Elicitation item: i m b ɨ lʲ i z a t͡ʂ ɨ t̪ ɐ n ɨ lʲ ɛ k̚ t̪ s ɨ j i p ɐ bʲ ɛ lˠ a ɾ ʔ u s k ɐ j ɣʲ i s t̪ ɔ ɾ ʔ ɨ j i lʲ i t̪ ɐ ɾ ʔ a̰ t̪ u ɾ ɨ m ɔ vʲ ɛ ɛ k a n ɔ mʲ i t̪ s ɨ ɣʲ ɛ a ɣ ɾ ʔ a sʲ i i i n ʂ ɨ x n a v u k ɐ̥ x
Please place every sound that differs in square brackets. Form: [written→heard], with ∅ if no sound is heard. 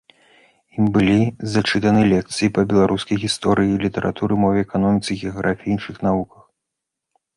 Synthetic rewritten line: i m b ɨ lʲ i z a t͡ʂ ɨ t̪ ɐ n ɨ lʲ ɛ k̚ t̪ s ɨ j i p ɐ bʲ ɛ lˠ a ɾ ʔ u s k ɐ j ɣʲ i s t̪ ɔ ɾ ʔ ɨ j i lʲ i t̪ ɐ ɾ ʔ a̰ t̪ u ɾ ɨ m ɔ vʲ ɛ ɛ k a n ɔ mʲ i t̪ s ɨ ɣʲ ɛ a ɣ ɾ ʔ a [sʲ→fʲ] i i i n ʂ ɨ x n a v u k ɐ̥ x